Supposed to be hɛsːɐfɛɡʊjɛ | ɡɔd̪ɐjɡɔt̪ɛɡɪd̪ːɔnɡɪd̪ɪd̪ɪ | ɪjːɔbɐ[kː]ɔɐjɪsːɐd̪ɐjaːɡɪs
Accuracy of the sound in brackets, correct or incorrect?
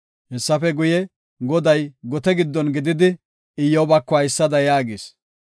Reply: correct